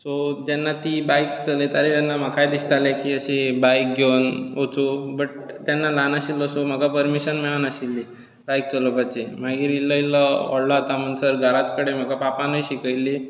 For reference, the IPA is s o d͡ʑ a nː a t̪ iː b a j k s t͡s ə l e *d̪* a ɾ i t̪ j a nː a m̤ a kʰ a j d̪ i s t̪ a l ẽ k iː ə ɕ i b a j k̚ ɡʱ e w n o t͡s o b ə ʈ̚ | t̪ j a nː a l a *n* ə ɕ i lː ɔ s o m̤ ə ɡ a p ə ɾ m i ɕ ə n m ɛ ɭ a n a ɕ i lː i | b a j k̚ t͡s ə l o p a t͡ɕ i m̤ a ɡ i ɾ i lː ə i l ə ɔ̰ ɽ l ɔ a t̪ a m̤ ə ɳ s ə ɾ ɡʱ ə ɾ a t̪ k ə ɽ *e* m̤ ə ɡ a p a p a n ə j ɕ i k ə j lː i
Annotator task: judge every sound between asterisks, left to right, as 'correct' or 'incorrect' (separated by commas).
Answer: incorrect, correct, correct